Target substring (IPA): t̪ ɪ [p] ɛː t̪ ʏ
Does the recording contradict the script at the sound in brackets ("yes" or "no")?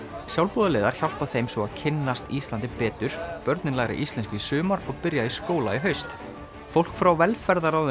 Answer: no